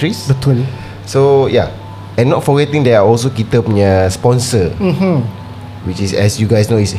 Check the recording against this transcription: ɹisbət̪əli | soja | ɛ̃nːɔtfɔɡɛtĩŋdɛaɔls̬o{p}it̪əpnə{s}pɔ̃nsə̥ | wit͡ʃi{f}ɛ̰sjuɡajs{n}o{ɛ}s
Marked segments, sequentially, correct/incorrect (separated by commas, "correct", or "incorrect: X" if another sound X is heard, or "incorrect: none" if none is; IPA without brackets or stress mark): incorrect: k, correct, incorrect: s, correct, incorrect: i